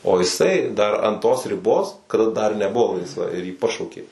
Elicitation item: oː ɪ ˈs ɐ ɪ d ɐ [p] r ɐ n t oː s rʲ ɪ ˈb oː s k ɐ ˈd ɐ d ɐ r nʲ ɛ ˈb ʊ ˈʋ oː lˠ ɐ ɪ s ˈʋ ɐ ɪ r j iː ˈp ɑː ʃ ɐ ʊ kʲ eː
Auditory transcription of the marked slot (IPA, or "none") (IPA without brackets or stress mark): none